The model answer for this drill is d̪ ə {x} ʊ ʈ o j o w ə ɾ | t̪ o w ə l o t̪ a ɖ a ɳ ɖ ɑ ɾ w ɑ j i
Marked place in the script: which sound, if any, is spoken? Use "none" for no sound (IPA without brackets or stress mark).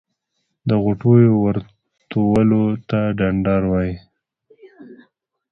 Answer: ɣ